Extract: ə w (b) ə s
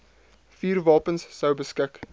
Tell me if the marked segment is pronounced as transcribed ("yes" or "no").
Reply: yes